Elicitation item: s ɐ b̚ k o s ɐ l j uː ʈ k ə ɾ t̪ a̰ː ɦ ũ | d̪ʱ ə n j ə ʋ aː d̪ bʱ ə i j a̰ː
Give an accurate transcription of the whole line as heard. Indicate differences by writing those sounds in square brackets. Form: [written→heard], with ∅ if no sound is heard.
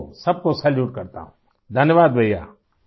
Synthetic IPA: s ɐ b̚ k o s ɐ l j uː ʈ k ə ɾ t̪ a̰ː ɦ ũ | d̪ʱ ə n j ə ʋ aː d̪ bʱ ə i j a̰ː